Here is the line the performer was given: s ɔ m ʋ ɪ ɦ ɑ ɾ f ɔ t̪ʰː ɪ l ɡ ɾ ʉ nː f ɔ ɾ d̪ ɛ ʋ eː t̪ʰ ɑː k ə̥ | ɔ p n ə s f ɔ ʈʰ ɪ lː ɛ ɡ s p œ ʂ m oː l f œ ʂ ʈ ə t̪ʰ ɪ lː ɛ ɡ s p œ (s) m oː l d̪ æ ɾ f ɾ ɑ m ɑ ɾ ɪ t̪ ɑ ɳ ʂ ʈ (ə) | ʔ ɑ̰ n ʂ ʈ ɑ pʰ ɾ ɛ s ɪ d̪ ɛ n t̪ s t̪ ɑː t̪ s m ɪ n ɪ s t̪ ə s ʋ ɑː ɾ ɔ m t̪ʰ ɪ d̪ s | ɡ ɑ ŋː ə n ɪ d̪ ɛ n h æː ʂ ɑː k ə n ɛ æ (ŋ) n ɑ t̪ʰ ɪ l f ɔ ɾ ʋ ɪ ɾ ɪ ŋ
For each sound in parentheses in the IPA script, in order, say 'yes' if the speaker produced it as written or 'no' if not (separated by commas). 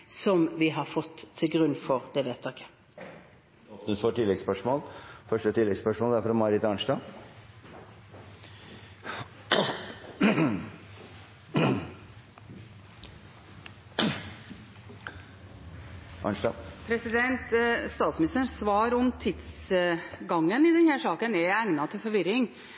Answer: no, no, yes